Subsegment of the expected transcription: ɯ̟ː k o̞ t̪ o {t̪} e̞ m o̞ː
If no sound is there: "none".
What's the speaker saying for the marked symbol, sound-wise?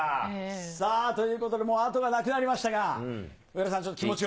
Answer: d̪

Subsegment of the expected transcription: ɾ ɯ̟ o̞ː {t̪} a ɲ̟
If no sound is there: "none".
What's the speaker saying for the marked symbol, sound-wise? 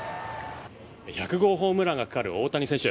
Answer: t̪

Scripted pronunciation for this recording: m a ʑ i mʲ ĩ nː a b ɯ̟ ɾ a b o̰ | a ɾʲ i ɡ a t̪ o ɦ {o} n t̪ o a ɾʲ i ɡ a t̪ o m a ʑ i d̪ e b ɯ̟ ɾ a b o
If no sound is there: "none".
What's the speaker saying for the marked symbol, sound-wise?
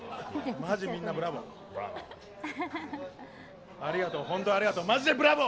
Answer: õ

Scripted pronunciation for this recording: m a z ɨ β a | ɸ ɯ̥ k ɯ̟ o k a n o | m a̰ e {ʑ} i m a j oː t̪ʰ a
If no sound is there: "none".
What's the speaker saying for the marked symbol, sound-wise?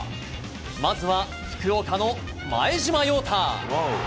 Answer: ʑ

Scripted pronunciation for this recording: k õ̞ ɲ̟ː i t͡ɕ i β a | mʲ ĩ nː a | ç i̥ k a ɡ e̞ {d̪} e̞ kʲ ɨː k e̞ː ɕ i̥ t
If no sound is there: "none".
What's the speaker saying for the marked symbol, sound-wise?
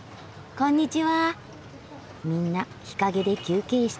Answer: d̪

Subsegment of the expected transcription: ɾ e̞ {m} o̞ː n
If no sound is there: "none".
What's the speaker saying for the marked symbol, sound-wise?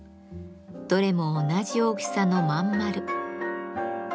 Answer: m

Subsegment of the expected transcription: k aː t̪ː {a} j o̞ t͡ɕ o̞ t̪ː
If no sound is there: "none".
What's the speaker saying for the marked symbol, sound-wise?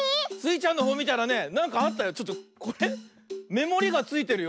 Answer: a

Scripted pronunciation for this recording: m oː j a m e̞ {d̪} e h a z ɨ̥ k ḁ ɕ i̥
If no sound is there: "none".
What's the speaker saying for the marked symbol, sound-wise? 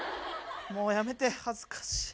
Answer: t̪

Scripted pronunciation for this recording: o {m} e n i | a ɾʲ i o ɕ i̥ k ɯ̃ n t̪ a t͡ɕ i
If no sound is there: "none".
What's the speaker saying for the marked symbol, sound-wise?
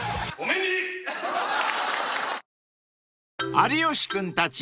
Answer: m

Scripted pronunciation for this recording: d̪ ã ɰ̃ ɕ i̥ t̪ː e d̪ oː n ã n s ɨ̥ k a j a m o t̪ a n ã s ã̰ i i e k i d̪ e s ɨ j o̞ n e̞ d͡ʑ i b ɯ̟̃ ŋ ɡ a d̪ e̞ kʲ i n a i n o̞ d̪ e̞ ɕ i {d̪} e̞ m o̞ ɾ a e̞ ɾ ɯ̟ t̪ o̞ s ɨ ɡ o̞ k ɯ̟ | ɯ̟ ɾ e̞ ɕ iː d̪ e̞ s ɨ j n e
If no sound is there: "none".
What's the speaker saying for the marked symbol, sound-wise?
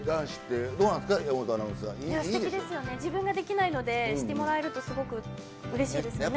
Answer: t̪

